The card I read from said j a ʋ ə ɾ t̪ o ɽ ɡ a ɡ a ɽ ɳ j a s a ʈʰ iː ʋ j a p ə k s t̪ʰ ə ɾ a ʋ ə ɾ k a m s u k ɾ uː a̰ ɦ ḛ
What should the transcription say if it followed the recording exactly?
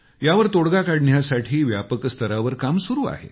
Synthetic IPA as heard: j a ʋ ə ɾ t̪ o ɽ ɡ a k a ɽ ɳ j a s a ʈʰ iː ʋ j a p ə k s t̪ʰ ə ɾ a ʋ ə ɾ k a m s u ɾ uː a̰ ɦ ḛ

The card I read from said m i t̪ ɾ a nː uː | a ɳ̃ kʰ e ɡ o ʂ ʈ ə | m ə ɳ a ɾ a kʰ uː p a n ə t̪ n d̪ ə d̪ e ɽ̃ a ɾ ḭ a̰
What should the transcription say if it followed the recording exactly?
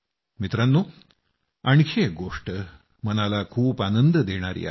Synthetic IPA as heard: m i t̪ ɾ a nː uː | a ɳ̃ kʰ e ɡ o ʂ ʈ ə | m ə n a l a kʰ uː p a n ə n d̪ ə d̪ e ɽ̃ a ɾ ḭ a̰

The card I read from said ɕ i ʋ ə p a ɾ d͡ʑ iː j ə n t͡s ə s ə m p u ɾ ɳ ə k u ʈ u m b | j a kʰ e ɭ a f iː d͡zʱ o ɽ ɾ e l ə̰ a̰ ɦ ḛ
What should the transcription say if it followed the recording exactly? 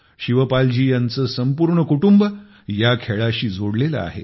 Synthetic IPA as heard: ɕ i ʋ ə p a l d͡ʑ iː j a n t͡s ə s ə m p u ɾ ɳ ə k u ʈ u m b | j a kʰ e ɭ a ɕ iː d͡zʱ o ɽ l e l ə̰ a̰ ɦ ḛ

